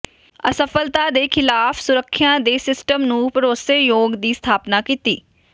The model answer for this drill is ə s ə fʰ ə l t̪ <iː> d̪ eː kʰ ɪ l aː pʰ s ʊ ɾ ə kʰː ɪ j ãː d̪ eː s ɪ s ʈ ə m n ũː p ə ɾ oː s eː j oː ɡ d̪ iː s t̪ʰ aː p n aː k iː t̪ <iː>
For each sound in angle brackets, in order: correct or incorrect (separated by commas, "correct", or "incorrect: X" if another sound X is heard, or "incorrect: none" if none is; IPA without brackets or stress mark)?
incorrect: aː, correct